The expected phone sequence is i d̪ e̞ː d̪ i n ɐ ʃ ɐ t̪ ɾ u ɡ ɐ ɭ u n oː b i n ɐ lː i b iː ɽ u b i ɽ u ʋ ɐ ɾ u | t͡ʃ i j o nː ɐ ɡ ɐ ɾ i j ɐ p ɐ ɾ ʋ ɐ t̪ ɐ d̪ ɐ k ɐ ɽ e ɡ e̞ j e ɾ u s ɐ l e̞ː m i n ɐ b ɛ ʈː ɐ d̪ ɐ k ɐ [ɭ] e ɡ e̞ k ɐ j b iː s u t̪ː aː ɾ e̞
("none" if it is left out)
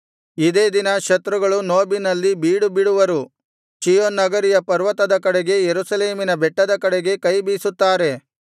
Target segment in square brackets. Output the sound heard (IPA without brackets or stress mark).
ɽ